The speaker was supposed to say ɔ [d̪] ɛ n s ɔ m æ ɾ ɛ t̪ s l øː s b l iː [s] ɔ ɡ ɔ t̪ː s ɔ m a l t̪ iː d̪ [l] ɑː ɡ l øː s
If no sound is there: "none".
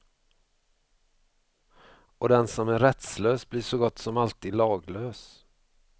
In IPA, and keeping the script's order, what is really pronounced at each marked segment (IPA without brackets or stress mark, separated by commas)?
d̪, ʂ, l